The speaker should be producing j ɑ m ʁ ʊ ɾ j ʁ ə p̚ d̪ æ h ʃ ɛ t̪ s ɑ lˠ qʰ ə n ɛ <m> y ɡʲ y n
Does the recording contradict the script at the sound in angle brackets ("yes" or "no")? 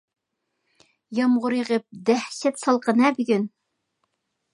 yes